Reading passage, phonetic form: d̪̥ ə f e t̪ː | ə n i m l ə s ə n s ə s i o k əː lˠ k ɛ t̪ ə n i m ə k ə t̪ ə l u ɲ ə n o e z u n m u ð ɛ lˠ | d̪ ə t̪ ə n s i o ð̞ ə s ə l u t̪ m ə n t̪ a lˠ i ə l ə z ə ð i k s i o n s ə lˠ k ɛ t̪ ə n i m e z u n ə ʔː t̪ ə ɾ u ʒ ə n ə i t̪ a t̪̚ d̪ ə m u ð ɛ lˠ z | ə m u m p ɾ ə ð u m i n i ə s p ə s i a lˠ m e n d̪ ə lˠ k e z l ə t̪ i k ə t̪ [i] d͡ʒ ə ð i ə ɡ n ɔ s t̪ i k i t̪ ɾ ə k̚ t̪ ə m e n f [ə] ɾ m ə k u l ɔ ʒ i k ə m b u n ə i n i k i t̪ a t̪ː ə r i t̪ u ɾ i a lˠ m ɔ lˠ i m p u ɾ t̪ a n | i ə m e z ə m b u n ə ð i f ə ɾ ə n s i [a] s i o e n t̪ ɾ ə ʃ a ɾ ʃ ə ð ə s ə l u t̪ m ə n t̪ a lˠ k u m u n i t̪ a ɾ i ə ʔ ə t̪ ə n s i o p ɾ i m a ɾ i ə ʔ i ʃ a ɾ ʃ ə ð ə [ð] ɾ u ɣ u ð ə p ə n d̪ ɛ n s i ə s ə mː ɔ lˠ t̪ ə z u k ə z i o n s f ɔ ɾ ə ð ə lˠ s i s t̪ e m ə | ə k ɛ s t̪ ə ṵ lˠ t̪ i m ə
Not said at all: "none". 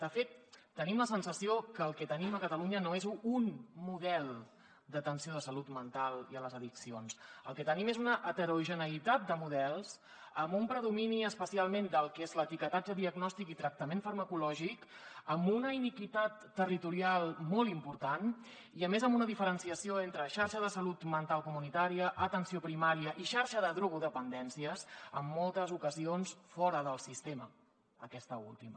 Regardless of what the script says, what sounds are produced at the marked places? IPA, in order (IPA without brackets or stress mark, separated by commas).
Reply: a, ə, ə, ð